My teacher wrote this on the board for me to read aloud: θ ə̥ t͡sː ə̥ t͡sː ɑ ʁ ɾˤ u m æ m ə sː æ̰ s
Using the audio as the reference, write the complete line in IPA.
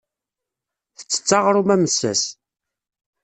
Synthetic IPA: θ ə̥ t͡sː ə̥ t͡sː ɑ ʁ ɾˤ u m æ m ə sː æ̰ s